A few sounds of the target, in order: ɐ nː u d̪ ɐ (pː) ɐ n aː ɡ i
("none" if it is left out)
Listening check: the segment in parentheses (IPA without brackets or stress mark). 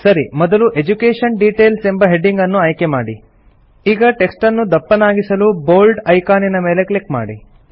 pː